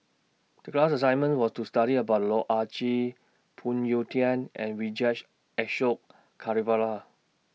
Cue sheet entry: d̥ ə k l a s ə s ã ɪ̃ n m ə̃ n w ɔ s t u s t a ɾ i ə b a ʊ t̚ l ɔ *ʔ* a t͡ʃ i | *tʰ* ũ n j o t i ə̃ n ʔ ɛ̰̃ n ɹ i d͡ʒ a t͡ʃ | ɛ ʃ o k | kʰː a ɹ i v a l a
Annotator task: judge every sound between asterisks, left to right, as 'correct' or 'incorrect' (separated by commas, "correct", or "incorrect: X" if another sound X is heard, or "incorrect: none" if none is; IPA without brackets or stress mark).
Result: correct, incorrect: pʰ